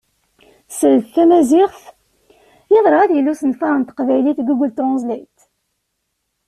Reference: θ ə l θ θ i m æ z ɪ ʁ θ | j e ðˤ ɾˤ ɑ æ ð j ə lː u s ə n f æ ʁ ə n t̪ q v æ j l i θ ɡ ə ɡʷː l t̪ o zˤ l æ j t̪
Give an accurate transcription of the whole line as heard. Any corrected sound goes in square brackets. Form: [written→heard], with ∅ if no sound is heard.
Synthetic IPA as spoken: [θ→s] ə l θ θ [i→æ] m æ z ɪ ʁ θ | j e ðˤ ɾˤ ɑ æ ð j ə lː u s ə n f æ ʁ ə n t̪ q v æ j l i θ ɡ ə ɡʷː l t̪ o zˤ l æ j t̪